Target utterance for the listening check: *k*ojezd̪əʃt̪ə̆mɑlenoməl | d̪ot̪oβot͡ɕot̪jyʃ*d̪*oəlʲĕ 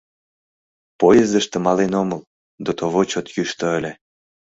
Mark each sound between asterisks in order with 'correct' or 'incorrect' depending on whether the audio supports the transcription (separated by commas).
incorrect, incorrect